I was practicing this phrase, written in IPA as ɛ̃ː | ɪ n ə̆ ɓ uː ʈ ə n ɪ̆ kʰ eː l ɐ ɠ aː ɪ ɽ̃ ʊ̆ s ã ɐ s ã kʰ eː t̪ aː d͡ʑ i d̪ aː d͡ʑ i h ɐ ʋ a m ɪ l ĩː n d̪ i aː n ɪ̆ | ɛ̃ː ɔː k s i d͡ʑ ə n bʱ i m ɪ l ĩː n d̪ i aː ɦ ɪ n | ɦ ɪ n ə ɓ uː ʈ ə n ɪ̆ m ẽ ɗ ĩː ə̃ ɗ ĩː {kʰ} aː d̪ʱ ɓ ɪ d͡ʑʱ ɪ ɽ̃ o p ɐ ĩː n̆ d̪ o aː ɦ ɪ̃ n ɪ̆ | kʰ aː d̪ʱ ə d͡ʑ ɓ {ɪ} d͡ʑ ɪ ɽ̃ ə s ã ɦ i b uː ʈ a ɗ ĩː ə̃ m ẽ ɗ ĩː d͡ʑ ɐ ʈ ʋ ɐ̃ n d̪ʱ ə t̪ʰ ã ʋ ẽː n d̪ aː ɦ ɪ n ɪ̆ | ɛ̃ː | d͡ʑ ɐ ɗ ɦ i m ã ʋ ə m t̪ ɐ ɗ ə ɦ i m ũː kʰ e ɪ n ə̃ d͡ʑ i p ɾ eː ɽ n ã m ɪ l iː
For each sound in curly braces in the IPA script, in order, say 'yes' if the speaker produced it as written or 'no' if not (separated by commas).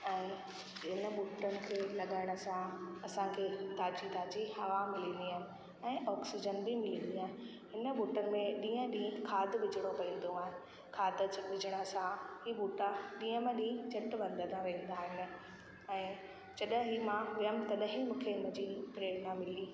yes, yes